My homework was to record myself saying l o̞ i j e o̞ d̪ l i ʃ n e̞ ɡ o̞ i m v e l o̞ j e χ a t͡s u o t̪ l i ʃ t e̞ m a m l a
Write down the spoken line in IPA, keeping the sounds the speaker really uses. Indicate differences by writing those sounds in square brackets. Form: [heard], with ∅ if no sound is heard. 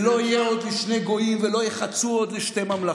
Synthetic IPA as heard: l o̞ i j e o̞ d̪ l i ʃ n e̞ ɡ o̞ i m v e l o̞ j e χ a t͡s u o [d̪] l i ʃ t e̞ m a m l a